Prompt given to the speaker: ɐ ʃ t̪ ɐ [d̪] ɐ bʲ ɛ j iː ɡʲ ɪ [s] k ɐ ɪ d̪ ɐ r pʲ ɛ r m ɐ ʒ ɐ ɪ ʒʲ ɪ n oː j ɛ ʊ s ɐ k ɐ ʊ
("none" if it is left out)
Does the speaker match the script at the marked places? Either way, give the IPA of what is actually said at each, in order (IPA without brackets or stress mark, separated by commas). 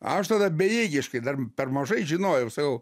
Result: d̪, ʃ